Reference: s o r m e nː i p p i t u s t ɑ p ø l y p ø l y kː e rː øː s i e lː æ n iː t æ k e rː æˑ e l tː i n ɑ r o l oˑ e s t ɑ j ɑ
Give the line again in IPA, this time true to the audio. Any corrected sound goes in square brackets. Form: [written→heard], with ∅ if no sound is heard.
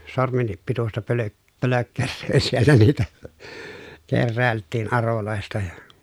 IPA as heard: s o r m e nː i p p i t u s t ɑ p ø l [y→ø] p ø l [y→ø] kː e rː øː s i e lː æ n iː t æ k e rː æˑ e l tː [i→iː] n ɑ r o l oˑ e s t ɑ j ɑ